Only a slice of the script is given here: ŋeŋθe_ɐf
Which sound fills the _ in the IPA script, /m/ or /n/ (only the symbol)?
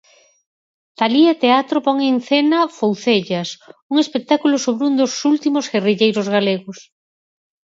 n